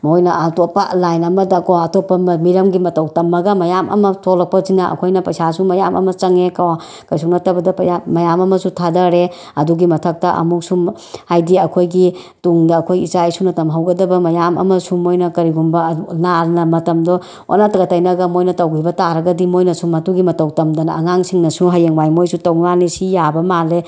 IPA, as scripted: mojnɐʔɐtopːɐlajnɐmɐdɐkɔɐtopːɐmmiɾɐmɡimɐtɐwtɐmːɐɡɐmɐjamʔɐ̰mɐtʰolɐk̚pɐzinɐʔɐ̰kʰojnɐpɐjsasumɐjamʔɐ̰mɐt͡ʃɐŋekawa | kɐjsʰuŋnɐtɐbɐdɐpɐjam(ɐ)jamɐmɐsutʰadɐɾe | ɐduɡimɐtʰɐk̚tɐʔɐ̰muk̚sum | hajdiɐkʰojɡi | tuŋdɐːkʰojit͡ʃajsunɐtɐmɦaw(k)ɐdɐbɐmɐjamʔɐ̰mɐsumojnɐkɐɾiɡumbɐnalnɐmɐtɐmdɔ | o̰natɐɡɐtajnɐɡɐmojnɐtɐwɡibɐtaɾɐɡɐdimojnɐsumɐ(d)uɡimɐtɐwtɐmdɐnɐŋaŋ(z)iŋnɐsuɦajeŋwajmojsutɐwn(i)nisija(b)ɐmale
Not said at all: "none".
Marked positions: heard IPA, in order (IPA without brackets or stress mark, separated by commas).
ɐ, ɡ, t, s, a, b